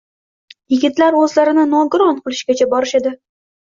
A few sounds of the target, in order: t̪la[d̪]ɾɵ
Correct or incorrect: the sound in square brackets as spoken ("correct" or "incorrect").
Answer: incorrect